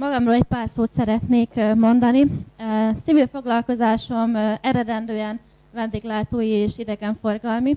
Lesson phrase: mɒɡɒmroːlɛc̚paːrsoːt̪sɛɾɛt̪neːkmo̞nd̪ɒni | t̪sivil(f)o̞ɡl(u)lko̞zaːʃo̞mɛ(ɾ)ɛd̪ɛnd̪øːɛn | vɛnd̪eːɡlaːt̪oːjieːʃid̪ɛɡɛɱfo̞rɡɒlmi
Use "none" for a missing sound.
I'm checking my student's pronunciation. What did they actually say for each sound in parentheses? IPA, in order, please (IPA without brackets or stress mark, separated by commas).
f, ɒ, ɾ